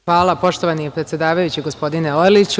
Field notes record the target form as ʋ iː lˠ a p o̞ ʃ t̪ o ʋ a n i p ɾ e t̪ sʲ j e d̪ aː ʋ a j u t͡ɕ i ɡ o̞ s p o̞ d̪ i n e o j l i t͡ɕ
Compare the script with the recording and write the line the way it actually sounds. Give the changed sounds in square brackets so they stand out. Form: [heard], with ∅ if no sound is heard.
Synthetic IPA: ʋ [aː] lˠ a p o̞ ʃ t̪ o ʋ a n i p ɾ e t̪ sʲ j e d̪ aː ʋ a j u t͡ɕ i ɡ o̞ s p o̞ d̪ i n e o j l i t͡ɕ